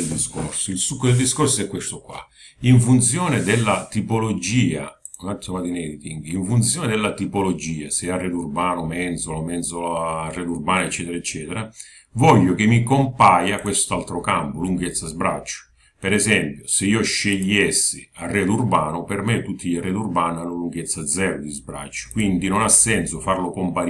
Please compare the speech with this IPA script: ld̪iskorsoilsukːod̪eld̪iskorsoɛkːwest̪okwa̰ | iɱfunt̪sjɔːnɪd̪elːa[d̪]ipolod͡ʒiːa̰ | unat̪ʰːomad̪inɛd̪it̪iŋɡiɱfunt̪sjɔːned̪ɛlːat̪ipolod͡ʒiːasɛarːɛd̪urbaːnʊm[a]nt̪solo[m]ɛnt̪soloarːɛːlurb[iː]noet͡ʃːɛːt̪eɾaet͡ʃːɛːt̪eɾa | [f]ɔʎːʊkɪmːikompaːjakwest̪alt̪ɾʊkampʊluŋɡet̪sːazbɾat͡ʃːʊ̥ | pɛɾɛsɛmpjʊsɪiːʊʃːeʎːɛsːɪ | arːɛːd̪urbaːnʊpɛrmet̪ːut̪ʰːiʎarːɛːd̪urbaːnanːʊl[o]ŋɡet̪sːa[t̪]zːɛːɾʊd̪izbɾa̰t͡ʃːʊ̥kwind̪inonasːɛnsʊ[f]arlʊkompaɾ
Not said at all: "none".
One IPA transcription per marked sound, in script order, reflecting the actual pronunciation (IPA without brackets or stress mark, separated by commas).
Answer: t̪, ɛ, m, aː, v, u, d̪, f